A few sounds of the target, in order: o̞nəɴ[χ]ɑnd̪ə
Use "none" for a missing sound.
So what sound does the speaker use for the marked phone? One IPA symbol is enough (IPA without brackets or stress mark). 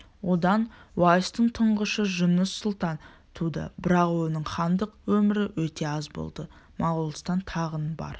χ